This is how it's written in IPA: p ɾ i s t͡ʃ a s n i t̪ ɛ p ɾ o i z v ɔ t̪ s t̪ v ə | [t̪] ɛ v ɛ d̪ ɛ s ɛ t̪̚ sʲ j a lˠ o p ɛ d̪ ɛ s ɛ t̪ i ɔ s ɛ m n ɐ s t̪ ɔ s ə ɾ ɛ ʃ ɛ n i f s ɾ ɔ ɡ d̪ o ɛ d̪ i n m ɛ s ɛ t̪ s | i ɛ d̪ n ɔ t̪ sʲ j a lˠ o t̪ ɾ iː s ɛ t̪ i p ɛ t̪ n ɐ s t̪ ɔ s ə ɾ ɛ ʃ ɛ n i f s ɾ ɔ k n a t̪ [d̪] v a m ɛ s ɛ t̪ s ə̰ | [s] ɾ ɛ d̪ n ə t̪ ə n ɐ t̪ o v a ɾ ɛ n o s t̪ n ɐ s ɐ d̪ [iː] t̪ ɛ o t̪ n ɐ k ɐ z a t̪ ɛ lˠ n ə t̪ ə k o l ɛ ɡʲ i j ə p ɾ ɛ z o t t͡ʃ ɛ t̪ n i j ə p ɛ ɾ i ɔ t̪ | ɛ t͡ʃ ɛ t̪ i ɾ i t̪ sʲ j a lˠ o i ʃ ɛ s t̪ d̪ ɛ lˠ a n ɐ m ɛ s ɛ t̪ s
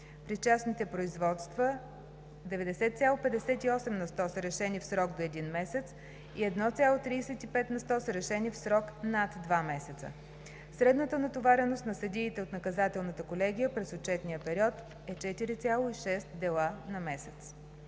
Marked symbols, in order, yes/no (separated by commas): no, yes, yes, yes